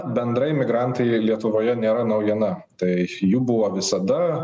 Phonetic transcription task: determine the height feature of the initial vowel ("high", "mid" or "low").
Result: mid